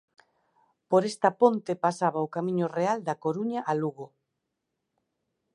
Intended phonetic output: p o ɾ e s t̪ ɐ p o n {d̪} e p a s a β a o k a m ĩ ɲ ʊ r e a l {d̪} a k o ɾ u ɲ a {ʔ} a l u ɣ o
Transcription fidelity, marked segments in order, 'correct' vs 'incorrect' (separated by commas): incorrect, correct, correct